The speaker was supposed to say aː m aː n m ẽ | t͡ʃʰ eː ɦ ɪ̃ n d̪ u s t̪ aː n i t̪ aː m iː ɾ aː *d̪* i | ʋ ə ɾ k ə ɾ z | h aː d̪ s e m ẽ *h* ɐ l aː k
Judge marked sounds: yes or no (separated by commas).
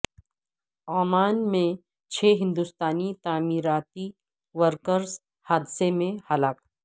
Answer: no, yes